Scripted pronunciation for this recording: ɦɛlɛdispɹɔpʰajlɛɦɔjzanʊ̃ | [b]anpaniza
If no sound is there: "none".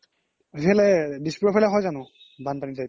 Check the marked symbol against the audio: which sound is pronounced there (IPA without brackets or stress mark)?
b